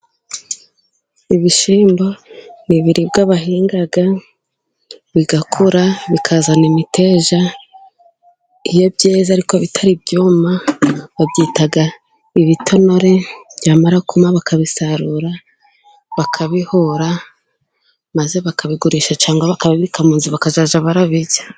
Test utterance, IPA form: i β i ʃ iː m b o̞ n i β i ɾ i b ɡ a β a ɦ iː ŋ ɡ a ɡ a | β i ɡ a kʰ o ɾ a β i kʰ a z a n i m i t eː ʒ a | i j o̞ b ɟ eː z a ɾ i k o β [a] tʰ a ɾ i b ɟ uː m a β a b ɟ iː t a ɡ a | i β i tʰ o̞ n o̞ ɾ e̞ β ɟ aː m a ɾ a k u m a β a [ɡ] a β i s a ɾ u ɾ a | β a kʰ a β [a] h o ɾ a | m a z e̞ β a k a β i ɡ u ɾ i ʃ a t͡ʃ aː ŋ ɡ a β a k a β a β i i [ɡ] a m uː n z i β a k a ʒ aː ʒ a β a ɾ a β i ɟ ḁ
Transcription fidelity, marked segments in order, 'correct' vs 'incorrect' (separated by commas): incorrect, incorrect, incorrect, incorrect